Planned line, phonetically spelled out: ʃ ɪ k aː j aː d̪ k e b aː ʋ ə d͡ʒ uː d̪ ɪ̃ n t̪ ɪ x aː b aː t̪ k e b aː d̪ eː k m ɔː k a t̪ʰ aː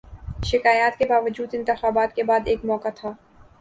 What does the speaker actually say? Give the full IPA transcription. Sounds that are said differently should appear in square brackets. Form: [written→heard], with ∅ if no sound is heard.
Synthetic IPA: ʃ ɪ k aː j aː [d̪→t̪] k e b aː ʋ ə d͡ʒ uː d̪ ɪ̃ n t̪ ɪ x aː b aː t̪ k e b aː d̪ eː k m ɔː k a t̪ʰ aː

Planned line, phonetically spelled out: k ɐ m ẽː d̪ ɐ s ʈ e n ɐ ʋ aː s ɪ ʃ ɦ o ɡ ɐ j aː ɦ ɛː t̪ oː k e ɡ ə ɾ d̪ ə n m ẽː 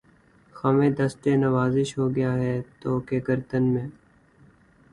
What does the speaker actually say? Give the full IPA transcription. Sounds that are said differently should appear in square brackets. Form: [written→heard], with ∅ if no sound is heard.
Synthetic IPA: [k→x] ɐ m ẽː d̪ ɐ s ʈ e n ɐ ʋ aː [s→z] ɪ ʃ ɦ o ɡ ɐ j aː ɦ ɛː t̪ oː k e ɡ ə ɾ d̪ ə n m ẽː

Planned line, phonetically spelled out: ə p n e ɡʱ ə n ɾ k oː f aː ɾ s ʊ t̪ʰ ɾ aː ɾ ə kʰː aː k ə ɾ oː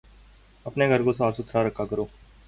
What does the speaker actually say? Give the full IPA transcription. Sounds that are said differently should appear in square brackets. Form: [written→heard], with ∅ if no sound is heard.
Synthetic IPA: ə p n e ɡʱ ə [n→∅] ɾ k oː [f→s] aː ɾ s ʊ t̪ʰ ɾ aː ɾ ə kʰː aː k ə ɾ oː

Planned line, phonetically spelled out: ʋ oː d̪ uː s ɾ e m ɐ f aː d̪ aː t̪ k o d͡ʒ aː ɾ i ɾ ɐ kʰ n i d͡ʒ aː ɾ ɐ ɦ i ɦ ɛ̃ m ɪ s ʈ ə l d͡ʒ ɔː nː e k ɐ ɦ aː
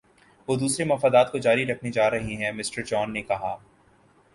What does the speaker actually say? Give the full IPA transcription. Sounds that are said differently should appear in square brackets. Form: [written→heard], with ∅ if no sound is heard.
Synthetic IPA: ʋ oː d̪ uː s ɾ e m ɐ f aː d̪ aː t̪ k o d͡ʒ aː ɾ i ɾ ɐ kʰ n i d͡ʒ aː ɾ ɐ ɦ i ɦ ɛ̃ m ɪ s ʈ ə [l→ɾ] d͡ʒ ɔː nː e k ɐ ɦ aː

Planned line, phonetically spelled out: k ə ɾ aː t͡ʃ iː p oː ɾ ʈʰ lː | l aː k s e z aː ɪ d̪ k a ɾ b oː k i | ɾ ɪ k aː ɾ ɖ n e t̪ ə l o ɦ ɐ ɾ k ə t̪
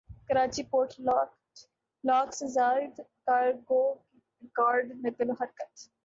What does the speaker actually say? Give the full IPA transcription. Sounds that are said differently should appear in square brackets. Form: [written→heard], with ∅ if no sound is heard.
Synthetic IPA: k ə ɾ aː t͡ʃ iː p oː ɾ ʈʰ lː | l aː k s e z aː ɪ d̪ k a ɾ [b→ɡ] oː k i | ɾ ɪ k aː ɾ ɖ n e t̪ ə l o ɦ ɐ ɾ k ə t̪

